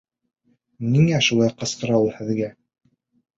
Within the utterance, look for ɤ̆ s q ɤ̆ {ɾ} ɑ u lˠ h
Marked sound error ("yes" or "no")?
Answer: no